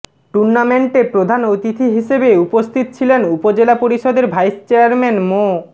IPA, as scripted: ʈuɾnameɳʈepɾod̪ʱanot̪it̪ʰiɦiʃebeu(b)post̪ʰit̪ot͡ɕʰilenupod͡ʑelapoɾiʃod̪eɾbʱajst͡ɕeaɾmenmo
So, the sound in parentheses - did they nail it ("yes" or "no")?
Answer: no